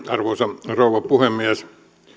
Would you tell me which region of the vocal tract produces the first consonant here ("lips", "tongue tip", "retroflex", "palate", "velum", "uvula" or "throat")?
tongue tip